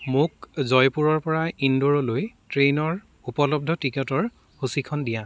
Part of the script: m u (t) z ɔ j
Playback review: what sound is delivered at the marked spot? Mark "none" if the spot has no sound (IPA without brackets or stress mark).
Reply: k